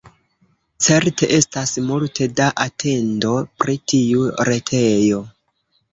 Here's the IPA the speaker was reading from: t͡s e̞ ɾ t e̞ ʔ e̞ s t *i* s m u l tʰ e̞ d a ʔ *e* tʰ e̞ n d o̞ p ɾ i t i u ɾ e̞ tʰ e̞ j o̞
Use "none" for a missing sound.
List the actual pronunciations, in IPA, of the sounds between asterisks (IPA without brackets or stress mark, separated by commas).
a, a